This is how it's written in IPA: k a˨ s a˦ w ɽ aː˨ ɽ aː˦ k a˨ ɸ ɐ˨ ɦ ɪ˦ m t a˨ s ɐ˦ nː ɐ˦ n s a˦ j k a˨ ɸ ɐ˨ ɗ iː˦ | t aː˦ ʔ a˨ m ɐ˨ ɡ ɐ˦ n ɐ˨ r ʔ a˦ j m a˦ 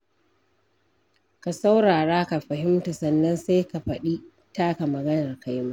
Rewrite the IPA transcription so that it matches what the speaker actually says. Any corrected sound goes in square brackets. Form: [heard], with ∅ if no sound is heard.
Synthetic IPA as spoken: k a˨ s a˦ w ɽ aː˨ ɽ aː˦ k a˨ ɸ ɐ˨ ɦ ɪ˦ m t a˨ s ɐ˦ nː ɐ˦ n s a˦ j k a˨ ɸ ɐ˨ ɗ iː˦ | t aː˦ [k] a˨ m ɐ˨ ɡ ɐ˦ n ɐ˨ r [k] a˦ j m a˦